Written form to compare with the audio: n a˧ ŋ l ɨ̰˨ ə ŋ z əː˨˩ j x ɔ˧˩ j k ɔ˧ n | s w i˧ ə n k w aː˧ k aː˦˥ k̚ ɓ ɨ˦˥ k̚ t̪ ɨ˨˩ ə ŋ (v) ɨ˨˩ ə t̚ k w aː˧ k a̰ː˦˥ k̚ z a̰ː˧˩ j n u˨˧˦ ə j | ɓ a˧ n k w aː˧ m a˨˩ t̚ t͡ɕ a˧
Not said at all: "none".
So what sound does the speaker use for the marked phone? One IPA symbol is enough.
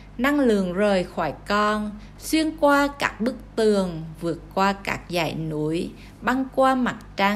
v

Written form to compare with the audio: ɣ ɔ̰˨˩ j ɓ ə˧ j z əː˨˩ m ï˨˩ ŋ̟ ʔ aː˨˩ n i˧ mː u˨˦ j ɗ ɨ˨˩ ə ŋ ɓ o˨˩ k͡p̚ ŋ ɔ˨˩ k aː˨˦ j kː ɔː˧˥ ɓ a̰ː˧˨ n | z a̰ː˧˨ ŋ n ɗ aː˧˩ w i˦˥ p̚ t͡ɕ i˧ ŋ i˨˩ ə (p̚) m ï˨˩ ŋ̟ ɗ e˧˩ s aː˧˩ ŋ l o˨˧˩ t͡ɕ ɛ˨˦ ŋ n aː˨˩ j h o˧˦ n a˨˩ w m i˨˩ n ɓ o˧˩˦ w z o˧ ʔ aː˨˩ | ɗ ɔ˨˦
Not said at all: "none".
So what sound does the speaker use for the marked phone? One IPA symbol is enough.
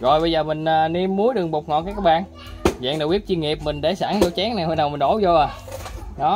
p̚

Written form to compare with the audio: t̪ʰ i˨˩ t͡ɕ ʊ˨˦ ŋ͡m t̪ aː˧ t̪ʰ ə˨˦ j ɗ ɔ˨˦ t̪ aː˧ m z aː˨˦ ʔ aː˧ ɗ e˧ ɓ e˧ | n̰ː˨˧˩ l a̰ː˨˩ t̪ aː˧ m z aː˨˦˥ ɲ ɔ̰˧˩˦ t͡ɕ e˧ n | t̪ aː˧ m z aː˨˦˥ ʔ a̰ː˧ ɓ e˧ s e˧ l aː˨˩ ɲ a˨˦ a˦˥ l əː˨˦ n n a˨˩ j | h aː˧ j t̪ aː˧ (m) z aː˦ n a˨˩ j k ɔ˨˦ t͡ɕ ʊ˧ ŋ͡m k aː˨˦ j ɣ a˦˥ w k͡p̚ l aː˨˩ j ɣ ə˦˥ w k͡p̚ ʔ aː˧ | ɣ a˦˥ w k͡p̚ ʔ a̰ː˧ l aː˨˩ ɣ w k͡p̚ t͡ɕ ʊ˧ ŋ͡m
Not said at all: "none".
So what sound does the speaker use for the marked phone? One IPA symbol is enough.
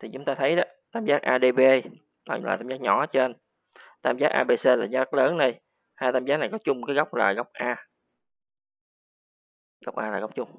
m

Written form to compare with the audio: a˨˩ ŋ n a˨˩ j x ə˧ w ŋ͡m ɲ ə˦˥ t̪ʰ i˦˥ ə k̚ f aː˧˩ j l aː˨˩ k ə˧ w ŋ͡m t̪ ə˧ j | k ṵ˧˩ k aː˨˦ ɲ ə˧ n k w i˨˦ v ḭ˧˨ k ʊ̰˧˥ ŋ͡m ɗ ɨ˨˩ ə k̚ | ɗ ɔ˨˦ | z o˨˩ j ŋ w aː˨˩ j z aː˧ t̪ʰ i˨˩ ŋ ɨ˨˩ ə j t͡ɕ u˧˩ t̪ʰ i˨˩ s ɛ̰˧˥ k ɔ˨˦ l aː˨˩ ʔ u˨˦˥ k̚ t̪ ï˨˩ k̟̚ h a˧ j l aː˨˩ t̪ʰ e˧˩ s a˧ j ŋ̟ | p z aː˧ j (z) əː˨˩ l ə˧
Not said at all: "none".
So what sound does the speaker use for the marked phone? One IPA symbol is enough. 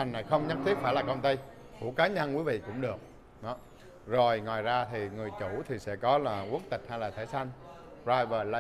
v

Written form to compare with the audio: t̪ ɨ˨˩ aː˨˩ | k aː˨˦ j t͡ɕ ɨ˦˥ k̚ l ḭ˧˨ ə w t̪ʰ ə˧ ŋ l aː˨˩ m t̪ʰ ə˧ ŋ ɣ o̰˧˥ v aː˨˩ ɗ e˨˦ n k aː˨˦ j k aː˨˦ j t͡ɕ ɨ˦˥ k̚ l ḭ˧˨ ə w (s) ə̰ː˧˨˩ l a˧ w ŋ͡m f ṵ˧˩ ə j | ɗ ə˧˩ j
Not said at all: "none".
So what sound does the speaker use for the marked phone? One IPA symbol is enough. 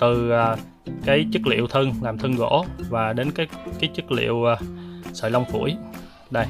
s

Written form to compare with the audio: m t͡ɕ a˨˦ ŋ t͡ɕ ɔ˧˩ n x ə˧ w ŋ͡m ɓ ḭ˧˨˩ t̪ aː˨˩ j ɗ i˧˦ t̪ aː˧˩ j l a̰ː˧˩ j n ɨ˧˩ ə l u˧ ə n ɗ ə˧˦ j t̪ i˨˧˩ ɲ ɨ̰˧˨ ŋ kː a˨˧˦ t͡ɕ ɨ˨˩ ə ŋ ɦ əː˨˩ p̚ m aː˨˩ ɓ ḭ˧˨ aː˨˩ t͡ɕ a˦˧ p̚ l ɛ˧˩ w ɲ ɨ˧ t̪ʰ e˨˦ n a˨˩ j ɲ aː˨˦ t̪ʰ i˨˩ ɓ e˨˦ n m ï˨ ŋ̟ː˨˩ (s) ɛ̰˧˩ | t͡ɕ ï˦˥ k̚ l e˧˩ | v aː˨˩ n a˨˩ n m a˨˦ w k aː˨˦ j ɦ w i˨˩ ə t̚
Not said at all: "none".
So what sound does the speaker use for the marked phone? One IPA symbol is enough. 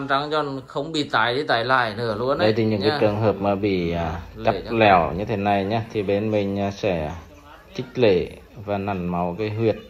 s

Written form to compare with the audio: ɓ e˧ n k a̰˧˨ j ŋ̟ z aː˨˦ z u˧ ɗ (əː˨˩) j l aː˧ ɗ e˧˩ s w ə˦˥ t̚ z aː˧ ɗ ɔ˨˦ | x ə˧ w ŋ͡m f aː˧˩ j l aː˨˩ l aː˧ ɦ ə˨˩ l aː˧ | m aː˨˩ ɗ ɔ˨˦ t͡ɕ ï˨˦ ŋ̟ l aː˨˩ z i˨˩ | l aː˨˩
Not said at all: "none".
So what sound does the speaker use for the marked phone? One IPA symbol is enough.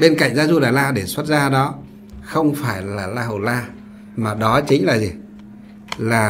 aː˨˩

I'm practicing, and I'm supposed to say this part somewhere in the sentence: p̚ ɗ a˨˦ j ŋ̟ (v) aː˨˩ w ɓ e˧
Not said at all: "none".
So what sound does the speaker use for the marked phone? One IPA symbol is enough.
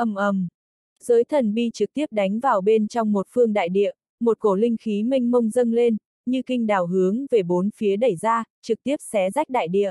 v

